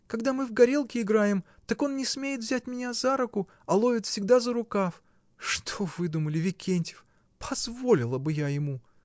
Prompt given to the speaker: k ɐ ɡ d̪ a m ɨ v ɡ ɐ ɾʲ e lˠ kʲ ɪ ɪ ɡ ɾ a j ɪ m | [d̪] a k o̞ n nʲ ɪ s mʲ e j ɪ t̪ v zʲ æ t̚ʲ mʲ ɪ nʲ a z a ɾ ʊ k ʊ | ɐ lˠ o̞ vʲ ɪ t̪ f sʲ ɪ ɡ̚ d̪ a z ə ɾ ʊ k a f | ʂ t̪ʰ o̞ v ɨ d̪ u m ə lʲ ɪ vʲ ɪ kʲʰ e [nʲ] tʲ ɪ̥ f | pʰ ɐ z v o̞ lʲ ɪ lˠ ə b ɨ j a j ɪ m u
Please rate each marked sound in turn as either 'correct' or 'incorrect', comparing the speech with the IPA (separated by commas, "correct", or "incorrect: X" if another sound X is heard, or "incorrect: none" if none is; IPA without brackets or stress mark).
incorrect: t̪, correct